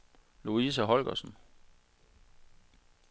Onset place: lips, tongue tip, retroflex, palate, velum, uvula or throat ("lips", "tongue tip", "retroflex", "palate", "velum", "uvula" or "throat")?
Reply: tongue tip